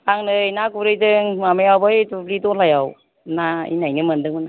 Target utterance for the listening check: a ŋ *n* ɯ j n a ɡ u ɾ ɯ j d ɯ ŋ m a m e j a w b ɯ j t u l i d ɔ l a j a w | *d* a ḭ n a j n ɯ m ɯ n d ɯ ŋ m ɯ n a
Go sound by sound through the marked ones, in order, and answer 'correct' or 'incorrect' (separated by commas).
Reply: correct, incorrect